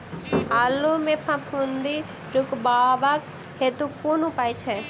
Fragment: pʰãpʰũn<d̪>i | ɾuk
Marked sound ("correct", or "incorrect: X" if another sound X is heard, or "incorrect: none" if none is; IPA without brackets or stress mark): correct